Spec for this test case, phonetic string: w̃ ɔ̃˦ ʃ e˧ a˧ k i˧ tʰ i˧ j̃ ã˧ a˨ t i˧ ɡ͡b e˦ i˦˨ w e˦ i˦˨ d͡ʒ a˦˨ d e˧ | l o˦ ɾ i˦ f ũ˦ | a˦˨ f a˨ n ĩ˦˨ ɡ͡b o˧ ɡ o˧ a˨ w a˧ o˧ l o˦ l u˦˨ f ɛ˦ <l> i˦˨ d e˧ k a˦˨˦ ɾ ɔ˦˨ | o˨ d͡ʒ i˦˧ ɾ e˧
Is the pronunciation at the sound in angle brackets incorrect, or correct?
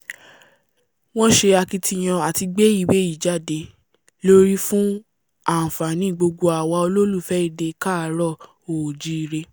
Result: incorrect